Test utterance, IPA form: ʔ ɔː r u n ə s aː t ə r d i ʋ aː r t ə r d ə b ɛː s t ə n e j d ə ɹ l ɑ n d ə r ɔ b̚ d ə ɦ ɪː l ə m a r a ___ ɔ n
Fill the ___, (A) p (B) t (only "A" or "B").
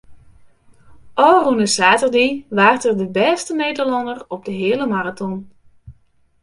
B